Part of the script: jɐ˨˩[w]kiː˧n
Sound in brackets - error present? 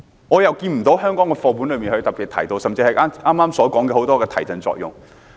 no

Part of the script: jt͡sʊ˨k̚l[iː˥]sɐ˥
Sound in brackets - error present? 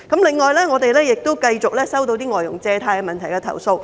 yes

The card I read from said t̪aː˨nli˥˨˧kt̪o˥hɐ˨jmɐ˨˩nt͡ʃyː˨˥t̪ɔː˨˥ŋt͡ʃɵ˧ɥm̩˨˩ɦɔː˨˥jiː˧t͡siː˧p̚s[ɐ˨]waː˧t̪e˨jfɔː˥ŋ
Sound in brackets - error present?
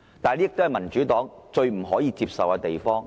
no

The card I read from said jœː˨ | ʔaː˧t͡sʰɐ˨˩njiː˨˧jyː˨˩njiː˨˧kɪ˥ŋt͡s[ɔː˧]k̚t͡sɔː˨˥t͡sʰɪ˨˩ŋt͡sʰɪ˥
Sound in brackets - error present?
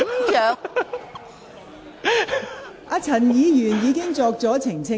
no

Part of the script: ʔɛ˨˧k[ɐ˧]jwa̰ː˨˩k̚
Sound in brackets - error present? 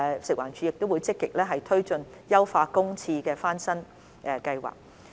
no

